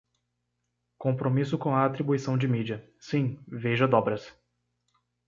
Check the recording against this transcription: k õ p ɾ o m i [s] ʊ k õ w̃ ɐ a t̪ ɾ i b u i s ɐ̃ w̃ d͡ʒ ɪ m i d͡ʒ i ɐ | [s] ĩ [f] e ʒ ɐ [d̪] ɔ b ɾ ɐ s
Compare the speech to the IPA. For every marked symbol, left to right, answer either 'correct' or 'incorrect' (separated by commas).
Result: correct, correct, incorrect, correct